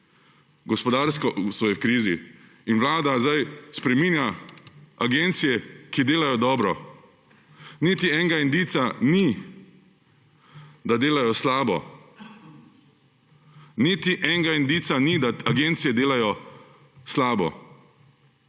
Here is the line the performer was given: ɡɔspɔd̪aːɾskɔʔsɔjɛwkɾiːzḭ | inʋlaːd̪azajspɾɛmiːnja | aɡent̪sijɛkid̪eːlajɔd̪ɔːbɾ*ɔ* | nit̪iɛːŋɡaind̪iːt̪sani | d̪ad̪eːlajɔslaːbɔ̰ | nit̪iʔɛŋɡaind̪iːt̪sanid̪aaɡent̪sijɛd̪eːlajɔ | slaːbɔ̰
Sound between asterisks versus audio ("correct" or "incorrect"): correct